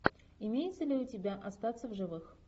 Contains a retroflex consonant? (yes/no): yes